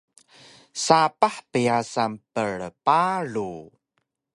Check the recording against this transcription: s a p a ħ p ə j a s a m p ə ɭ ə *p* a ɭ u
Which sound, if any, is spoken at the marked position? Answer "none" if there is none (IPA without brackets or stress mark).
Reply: p